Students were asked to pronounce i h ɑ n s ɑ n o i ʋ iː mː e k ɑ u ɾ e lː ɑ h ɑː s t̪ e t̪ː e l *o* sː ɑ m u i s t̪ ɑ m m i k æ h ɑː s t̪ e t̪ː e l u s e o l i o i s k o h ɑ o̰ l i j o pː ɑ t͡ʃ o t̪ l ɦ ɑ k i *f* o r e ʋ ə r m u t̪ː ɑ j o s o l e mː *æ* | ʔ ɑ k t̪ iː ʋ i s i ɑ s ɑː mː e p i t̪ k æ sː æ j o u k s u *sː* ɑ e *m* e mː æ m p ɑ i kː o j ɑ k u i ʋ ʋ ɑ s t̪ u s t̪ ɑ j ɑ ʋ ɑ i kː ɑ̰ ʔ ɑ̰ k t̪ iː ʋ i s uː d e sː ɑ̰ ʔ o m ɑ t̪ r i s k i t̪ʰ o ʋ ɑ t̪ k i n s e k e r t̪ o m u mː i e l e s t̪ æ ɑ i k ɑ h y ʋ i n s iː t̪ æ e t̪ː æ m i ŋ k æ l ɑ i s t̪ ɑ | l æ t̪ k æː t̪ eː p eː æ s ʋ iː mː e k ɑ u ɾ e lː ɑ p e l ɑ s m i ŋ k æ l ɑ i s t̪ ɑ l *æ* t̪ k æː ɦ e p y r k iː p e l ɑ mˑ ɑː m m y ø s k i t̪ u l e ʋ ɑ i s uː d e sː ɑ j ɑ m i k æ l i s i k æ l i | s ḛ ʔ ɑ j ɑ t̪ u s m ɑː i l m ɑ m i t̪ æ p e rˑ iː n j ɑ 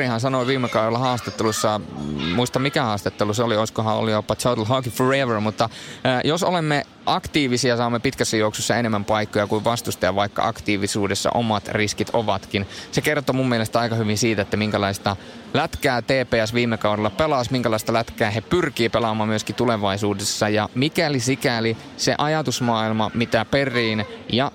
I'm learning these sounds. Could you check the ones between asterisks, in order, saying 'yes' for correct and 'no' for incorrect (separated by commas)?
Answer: no, yes, no, yes, no, yes